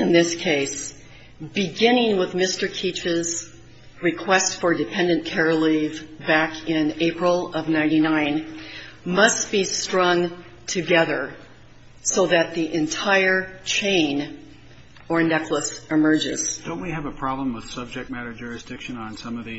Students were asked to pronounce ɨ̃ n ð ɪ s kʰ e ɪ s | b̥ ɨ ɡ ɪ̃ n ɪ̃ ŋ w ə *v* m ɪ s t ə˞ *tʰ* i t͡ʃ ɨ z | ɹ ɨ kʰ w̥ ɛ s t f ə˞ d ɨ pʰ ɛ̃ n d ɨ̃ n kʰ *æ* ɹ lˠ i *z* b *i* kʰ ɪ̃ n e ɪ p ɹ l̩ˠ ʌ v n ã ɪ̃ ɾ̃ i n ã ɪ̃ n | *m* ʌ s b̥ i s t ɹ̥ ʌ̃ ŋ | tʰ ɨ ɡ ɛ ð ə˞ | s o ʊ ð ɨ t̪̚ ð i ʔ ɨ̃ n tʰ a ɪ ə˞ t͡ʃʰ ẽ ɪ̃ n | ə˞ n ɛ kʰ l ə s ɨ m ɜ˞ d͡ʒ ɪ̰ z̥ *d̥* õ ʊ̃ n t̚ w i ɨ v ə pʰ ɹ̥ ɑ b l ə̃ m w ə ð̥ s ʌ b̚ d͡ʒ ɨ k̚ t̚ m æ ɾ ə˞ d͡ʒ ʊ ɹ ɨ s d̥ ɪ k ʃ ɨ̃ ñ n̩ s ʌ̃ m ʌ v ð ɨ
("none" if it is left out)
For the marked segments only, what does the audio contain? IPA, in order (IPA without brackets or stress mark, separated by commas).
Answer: ð, kʰ, ɛ, v, æ, m, d̥